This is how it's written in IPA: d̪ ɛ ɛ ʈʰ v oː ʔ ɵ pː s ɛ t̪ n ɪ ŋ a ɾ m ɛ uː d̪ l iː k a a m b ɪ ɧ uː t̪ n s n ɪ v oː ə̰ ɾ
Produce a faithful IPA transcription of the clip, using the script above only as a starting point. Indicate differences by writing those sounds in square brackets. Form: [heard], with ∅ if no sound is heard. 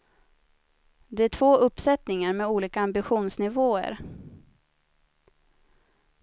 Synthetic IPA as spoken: d̪ ɛ [æ] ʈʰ v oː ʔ ɵ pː s ɛ t̪ n ɪ ŋ a ɾ m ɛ uː [∅] l iː k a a m b ɪ ɧ uː [∅] n s n ɪ v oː ə̰ ɾ